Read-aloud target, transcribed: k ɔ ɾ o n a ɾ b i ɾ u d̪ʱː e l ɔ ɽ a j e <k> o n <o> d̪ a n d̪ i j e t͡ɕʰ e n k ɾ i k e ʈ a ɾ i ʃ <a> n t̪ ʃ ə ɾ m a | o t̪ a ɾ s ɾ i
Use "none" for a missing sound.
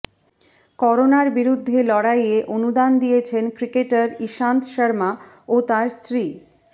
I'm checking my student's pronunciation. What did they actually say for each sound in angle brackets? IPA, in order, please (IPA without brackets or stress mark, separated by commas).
ʔ, u, a